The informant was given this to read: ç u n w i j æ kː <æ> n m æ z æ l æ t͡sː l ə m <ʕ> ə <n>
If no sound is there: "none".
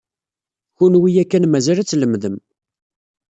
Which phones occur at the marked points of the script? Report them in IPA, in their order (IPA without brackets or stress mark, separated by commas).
æ, ð, m